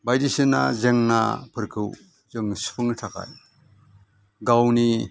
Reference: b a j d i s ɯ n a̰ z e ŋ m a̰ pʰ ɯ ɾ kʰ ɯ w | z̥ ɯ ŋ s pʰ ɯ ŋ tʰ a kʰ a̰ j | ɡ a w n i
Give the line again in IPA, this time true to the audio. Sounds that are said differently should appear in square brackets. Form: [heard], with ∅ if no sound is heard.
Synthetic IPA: b a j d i s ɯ n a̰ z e ŋ [n] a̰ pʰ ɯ ɾ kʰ ɯ w | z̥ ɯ ŋ s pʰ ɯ ŋ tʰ a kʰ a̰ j | ɡ a w n i